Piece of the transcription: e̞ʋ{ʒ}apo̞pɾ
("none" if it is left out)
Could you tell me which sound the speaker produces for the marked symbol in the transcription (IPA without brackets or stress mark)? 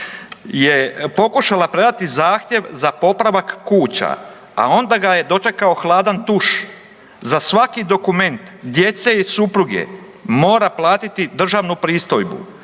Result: z